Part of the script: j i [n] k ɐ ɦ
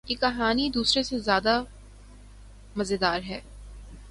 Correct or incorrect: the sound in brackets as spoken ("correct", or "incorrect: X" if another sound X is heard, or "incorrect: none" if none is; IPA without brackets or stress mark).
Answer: incorrect: none